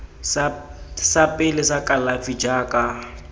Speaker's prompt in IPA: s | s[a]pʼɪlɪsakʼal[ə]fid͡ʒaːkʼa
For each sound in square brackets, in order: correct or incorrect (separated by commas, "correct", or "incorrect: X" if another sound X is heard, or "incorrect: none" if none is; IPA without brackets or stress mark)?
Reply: correct, incorrect: a